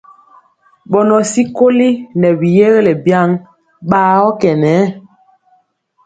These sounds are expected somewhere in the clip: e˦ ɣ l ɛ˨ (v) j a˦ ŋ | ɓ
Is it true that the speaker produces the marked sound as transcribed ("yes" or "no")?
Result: no